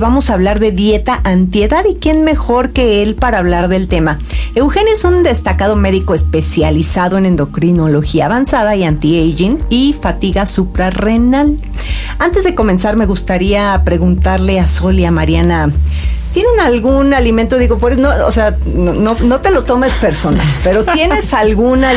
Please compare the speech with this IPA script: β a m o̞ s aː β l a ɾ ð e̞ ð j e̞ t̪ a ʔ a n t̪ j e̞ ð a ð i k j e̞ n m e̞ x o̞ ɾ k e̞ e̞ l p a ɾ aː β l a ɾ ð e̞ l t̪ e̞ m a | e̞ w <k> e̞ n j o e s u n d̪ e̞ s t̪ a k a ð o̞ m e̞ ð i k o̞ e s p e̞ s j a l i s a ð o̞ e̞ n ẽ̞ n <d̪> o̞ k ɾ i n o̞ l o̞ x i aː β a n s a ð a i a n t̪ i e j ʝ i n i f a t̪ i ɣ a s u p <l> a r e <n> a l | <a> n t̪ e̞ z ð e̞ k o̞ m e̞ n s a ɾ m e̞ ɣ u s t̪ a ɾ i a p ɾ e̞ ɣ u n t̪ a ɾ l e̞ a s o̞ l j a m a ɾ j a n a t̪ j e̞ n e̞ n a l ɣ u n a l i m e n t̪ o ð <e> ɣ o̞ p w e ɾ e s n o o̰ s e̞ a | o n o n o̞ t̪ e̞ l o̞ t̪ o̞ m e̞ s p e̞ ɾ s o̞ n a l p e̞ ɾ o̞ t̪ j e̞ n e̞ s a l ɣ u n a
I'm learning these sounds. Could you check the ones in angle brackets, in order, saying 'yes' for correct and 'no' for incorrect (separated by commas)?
no, yes, no, yes, yes, no